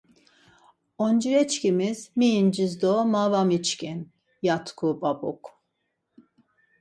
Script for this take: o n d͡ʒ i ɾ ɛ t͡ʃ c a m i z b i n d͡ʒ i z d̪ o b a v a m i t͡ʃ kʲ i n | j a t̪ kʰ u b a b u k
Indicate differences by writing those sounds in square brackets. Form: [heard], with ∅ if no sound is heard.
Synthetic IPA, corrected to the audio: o n d͡ʒ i ɾ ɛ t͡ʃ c [i] m i z [m] i n d͡ʒ i z d̪ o [m] a v a m i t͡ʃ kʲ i n | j a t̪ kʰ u b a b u k

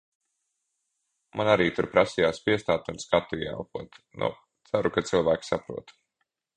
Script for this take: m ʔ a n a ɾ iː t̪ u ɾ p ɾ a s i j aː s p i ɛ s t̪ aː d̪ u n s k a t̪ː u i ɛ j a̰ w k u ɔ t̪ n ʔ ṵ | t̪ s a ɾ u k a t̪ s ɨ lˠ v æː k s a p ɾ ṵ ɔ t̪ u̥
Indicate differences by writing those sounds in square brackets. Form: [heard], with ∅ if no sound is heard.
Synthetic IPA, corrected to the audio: m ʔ a n a ɾ iː t̪ u ɾ p ɾ a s i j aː s p i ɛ s t̪ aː [t̪] u n s k a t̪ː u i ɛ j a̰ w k u ɔ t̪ n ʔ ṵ | t̪ s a ɾ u k a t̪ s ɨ lˠ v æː k s a p ɾ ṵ ɔ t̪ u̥

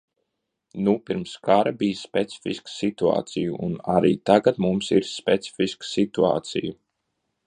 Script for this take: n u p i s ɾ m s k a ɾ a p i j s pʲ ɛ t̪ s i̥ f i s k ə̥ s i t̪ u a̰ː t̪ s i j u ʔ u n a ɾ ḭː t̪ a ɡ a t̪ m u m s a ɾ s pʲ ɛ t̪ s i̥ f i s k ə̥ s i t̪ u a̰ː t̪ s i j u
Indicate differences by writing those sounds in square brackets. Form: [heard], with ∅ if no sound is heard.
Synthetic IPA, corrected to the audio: n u p i [∅] ɾ m s k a ɾ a [b] i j s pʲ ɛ t̪ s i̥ f i s k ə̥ s i t̪ u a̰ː t̪ s i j u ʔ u n a ɾ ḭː t̪ a ɡ a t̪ m u m s [i] ɾ s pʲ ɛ t̪ s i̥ f i s k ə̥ s i t̪ u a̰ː t̪ s i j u

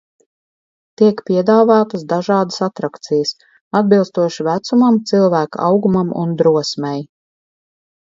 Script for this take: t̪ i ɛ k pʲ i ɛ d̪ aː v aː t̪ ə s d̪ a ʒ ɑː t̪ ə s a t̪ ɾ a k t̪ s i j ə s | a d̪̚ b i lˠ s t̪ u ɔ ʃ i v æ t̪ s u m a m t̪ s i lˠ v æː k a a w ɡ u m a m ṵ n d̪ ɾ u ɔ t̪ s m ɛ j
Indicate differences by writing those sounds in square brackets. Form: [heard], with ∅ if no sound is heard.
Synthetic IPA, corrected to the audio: t̪ i ɛ k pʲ i ɛ d̪ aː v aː t̪ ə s d̪ a ʒ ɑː [d̪] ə s a t̪ ɾ a k t̪ s i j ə s | a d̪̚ b i lˠ s t̪ u ɔ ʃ i v æ t̪ s u m a m t̪ s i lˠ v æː k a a w ɡ u m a m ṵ n d̪ ɾ u ɔ [∅] s m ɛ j

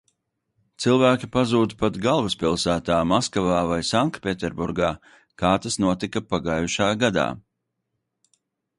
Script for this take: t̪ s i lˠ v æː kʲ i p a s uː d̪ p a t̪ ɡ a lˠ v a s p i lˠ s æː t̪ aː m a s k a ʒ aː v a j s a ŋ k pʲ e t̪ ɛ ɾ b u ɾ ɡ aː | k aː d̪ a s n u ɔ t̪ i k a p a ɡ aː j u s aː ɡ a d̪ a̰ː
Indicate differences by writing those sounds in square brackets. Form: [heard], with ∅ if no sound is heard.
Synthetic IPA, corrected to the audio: t̪ s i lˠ v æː kʲ i p a [z] uː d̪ p a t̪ ɡ a lˠ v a s p i lˠ s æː t̪ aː m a s k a [v] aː v a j s a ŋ k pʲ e t̪ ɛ ɾ b u ɾ ɡ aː | k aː [t̪] a s n u ɔ t̪ i k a p a ɡ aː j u [ʃ] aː ɡ a d̪ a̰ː

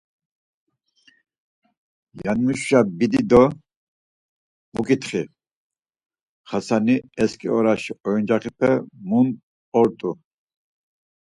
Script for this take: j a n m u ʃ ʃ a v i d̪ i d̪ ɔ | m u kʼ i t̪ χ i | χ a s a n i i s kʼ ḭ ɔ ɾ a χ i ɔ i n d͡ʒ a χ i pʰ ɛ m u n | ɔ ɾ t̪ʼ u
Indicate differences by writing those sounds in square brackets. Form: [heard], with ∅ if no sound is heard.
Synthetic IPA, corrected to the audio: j a n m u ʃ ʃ a [b] i d̪ i d̪ ɔ | m u kʼ i t̪ χ i | χ a s a n i [ɛ] s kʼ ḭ ɔ ɾ a [ʃ] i ɔ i n d͡ʒ a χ i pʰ ɛ m u n | ɔ ɾ t̪ʼ u

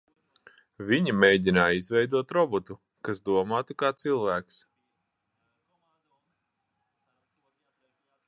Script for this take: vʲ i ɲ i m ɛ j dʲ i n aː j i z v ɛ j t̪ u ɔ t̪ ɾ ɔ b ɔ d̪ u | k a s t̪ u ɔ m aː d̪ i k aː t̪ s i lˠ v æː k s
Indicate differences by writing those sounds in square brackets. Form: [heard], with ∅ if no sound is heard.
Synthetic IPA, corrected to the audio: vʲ i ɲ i m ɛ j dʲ i n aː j i z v ɛ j [d̪] u ɔ t̪ ɾ ɔ b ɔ [t̪] u | k a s [d̪] u ɔ m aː [t̪] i k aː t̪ s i lˠ v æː k s

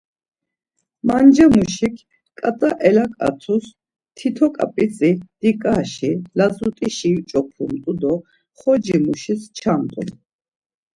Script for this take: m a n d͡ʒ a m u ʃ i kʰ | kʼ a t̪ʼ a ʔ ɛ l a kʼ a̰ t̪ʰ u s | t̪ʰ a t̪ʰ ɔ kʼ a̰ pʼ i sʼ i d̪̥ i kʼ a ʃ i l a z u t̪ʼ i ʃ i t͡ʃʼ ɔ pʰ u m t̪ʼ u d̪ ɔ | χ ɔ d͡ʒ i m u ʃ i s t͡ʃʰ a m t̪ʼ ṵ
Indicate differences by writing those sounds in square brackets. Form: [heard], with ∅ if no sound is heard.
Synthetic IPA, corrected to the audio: m a n d͡ʒ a m u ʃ i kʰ | kʼ a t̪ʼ a ʔ ɛ l a kʼ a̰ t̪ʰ u s | t̪ʰ [i] t̪ʰ ɔ kʼ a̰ pʼ i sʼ i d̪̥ i kʼ a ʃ i l a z u t̪ʼ i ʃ i t͡ʃʼ ɔ pʰ u m t̪ʼ u d̪ ɔ | χ ɔ d͡ʒ i m u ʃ i s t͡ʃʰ a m t̪ʼ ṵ

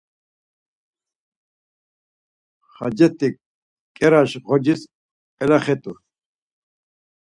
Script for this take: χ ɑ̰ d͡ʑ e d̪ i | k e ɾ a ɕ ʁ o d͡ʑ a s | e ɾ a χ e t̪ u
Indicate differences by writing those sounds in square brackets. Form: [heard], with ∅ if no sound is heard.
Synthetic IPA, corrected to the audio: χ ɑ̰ d͡ʑ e [t̪] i | k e ɾ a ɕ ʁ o d͡ʑ [i] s | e [l] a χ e t̪ u

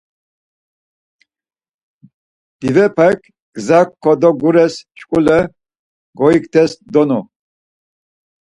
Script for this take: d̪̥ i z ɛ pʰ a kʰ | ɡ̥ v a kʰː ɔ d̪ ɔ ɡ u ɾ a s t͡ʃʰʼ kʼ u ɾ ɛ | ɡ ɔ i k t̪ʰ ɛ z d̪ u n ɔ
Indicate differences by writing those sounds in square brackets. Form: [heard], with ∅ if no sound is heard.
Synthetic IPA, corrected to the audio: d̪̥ i [v] ɛ pʰ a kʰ | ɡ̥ [z] a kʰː ɔ d̪ ɔ ɡ u ɾ [ɛ] s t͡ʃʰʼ kʼ u [l] ɛ | ɡ ɔ i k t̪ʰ ɛ [s] d̪ [ɔ] n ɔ

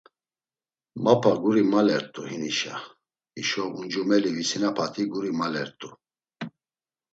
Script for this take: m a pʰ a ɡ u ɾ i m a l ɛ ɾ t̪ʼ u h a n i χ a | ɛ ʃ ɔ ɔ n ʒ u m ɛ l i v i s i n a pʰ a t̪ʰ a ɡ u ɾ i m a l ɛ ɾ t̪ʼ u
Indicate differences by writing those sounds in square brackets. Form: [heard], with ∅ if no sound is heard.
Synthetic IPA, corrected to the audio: m a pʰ a ɡ u ɾ i m a l ɛ ɾ t̪ʼ u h [i] n i [ʃ] a | [i] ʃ ɔ [u] n [d͡ʒ] u m ɛ l i v i s i n a pʰ a t̪ʰ [i] ɡ u ɾ i m a l ɛ ɾ t̪ʼ u

